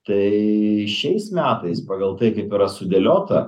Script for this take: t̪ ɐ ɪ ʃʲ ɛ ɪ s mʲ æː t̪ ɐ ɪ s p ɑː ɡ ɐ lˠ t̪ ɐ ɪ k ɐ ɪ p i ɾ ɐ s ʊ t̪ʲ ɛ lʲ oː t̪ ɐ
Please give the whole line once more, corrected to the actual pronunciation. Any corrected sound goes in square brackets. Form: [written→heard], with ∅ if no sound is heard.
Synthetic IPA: t̪ ɐ ɪ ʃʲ ɛ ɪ s mʲ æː t̪ ɐ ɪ s p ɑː ɡ ɐ lˠ t̪ ɐ ɪ k ɐ ɪ p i ɾ ɐ s ʊ [t̪ʲ→d̪ʲ] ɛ lʲ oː t̪ ɐ